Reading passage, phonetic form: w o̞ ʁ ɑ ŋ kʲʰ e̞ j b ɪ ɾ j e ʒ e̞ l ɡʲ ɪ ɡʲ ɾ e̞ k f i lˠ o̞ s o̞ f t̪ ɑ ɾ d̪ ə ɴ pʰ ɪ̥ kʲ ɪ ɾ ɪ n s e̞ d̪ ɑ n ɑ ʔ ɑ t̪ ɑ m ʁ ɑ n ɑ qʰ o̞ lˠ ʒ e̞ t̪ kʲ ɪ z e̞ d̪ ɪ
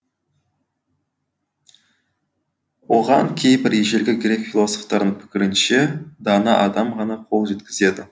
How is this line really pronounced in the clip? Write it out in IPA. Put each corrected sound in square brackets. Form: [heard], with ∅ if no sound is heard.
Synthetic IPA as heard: w o̞ ʁ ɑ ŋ kʲʰ e̞ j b ɪ ɾ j e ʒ e̞ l ɡʲ ɪ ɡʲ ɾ e̞ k f i lˠ o̞ s o̞ f t̪ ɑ ɾ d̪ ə ɴ pʰ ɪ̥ kʲ ɪ ɾ ɪ n [ʃ] e̞ d̪ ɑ n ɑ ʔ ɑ [d̪] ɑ m ʁ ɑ n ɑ qʰ o̞ lˠ ʒ e̞ t̪ kʲ ɪ z e̞ d̪ ɪ